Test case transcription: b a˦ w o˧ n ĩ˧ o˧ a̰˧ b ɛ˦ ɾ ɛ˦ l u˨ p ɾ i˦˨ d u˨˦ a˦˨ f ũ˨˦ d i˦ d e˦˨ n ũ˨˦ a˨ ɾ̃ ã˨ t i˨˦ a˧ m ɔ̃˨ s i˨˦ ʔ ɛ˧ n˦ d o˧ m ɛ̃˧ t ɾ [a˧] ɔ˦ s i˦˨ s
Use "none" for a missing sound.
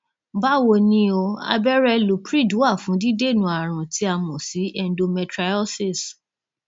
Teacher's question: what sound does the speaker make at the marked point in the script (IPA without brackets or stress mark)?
a˧